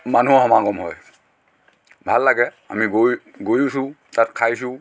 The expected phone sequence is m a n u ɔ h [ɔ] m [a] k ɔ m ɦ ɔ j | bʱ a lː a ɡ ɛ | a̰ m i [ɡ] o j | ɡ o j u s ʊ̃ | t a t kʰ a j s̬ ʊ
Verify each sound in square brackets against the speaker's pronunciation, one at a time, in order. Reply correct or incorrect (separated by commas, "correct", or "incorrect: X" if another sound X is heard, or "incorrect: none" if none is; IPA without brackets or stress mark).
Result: correct, correct, correct